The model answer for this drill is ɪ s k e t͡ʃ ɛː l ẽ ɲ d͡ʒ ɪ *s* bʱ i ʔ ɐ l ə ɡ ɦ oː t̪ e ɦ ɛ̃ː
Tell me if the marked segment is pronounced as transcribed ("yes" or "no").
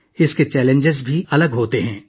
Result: no